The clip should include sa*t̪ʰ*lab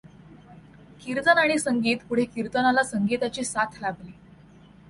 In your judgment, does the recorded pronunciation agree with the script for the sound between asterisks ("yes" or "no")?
yes